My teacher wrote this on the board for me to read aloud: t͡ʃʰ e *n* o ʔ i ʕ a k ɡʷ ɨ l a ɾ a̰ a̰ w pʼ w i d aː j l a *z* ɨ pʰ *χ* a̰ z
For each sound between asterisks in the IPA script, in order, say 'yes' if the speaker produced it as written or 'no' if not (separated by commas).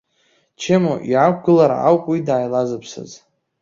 no, yes, no